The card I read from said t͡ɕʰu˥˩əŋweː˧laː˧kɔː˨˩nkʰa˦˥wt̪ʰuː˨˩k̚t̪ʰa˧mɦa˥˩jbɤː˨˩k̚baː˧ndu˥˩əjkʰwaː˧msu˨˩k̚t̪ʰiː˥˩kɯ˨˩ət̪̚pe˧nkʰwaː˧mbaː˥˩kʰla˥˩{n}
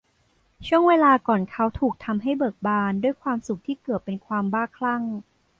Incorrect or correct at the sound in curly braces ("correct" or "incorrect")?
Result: incorrect